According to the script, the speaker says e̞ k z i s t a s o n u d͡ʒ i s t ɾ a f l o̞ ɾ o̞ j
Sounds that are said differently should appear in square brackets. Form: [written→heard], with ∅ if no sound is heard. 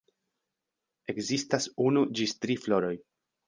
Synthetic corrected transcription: e̞ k z i s t a s [o→u] n u d͡ʒ i s t ɾ [a→i] f l o̞ ɾ o̞ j